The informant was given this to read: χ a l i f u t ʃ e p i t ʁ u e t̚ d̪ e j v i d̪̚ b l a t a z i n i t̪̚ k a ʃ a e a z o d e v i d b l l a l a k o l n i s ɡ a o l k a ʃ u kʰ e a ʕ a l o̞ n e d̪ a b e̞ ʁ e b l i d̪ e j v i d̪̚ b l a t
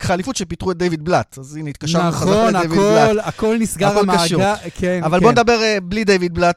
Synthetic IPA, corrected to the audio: χ a l i f u t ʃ e p i t ʁ u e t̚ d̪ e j v i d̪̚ b l a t a z i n i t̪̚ k a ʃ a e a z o d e v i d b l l a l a k o l n i s ɡ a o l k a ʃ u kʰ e a v a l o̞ n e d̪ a b e̞ ʁ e b l i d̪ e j v i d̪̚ b l a t